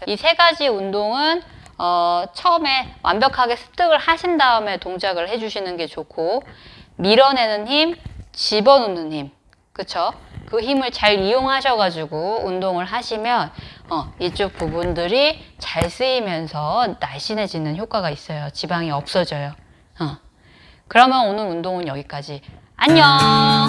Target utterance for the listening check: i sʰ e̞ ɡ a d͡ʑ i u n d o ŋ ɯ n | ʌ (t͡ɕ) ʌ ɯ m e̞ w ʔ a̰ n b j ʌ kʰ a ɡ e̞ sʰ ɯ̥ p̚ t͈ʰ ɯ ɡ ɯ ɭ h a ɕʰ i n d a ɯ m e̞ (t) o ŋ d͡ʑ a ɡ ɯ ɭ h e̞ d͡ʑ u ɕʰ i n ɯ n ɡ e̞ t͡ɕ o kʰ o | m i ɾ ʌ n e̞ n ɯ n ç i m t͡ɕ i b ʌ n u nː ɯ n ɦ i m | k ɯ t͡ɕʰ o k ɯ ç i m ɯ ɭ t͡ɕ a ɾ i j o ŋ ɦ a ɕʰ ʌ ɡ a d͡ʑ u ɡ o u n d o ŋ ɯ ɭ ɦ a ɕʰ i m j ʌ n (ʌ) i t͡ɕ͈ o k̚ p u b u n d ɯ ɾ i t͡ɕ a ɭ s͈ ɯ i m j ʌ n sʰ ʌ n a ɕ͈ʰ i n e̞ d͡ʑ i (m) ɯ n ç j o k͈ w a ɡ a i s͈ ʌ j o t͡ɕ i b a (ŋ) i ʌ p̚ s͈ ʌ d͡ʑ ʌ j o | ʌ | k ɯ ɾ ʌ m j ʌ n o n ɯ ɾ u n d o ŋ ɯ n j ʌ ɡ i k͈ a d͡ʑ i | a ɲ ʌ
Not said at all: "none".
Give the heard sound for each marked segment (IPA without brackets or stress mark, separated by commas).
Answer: t͡ɕʰ, t, ʌ, n, ŋ